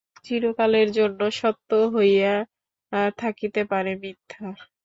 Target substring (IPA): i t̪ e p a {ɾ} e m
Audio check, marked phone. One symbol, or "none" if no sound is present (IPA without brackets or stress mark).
ɾ